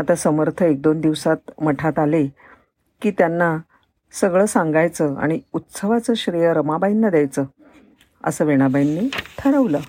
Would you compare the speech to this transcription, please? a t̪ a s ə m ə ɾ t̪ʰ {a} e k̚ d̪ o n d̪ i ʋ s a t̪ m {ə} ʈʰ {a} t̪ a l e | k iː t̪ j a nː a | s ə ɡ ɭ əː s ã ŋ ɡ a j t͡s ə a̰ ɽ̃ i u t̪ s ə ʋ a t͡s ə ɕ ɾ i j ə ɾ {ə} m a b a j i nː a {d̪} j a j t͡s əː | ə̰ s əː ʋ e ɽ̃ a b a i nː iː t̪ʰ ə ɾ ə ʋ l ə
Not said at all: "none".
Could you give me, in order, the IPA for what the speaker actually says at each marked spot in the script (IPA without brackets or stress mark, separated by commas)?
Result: ə, ə, a, ə, d̪